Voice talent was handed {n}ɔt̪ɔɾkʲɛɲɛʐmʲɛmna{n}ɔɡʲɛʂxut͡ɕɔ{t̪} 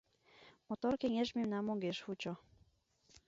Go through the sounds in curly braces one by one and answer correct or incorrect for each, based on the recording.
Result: incorrect: m, incorrect: m, incorrect: none

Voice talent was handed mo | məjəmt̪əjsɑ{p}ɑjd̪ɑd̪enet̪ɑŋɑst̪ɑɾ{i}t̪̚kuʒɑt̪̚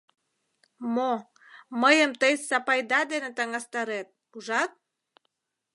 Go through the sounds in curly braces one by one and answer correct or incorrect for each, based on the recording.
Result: correct, incorrect: e

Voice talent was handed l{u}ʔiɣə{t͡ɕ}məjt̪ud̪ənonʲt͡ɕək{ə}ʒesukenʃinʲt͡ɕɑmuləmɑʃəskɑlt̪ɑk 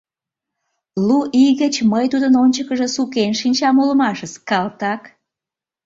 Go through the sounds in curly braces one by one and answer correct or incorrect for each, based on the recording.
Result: correct, correct, correct

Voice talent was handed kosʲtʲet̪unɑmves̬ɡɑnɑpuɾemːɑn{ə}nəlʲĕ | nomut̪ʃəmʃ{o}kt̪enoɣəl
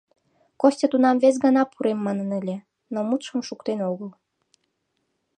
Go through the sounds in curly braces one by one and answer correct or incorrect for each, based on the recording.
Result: correct, incorrect: u

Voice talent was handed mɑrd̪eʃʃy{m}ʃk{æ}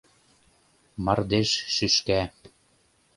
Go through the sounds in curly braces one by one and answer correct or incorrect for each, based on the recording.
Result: incorrect: none, correct

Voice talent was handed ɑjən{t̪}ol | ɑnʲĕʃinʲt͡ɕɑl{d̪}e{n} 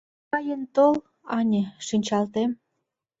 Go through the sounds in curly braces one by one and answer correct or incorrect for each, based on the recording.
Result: correct, incorrect: t̪, incorrect: m

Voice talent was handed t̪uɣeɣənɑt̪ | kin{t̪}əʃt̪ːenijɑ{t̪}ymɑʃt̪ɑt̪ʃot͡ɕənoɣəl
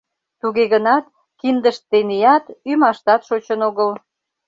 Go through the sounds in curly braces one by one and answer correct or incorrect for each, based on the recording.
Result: incorrect: d̪, correct

